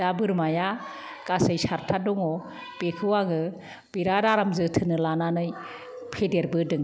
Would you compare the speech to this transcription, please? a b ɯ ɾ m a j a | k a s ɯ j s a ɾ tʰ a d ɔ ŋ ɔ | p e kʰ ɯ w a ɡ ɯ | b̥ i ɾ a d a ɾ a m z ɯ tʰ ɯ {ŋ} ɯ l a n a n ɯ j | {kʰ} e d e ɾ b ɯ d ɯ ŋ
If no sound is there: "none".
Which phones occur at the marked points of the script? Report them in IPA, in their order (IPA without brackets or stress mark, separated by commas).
n, pʰ